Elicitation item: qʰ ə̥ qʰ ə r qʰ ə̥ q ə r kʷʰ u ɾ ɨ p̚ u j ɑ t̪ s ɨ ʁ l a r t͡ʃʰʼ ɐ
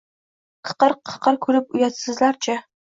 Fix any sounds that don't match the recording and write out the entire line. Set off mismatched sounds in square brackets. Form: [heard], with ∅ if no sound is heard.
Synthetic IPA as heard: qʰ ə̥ [q] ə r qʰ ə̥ q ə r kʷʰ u ɾ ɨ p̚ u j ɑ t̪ s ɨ [z] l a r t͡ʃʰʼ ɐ